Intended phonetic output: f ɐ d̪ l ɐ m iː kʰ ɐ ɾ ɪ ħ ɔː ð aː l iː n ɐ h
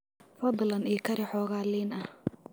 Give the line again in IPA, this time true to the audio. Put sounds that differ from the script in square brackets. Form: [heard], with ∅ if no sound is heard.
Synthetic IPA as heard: f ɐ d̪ l ɐ [n] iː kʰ ɐ ɾ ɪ ħ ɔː [ɣ] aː l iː n ɐ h